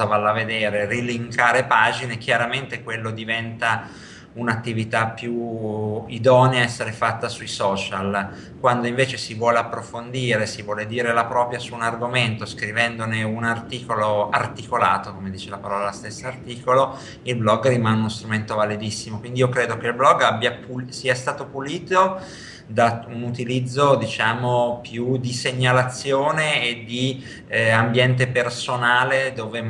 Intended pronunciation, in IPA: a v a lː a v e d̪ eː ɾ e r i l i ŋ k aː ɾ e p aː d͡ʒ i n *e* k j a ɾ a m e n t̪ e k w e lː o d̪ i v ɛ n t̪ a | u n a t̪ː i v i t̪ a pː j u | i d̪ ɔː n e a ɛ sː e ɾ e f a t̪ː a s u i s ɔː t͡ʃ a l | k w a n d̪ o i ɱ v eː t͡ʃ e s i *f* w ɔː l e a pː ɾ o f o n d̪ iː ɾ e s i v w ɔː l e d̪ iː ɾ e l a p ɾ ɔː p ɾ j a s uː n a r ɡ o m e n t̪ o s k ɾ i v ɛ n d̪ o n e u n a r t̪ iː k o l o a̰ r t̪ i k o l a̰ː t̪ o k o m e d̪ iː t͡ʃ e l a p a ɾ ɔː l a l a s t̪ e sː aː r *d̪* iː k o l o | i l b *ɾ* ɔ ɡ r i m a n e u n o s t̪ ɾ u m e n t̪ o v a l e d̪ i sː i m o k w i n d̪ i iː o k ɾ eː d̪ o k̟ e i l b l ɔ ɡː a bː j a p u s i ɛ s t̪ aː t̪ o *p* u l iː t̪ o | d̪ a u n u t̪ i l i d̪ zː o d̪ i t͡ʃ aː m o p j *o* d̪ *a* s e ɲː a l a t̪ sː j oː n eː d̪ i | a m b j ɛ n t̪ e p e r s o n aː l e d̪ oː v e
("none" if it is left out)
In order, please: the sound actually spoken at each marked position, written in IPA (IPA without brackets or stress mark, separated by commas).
e, v, t̪, l, p, u, i